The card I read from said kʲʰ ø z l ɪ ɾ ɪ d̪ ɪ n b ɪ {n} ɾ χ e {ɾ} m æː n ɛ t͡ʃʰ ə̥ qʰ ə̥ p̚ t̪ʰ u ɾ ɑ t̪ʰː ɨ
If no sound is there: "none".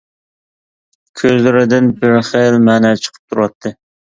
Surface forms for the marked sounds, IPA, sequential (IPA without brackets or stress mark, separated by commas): none, l